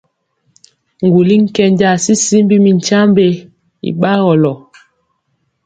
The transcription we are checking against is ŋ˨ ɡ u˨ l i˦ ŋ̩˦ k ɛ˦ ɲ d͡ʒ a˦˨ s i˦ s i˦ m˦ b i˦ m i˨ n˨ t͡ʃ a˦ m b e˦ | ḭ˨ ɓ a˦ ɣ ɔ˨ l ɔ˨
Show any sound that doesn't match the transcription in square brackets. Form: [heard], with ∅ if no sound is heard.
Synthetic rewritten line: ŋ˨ ɡ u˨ l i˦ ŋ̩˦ k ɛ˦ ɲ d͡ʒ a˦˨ s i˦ s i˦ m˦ b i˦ m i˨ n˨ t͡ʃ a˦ m b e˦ | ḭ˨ ɓ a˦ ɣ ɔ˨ l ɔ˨